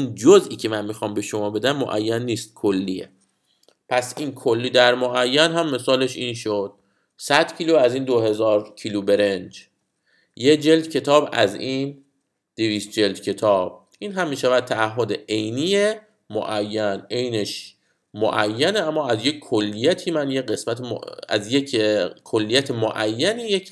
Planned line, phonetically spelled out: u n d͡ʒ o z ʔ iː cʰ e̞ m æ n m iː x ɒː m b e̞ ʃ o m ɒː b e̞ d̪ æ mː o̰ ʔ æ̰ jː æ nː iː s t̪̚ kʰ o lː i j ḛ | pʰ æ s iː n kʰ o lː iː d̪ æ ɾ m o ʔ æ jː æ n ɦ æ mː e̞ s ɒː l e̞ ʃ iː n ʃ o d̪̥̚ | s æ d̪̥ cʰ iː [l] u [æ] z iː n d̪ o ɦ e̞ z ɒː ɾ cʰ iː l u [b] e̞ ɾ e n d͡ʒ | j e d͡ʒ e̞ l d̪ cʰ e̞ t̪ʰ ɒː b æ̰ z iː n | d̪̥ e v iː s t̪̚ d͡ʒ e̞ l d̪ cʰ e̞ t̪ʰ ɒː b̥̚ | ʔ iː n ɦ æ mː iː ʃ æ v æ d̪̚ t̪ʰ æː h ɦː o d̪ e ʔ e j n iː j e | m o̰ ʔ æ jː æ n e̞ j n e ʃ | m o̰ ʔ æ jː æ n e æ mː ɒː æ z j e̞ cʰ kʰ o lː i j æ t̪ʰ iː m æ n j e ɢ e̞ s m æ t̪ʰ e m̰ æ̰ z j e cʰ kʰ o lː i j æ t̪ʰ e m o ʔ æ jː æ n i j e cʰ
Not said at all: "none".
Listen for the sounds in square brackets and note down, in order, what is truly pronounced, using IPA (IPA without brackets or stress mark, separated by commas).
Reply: l, æ, b